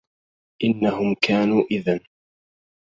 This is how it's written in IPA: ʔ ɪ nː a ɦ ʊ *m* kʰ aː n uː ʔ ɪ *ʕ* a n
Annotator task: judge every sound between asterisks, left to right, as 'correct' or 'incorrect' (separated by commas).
correct, incorrect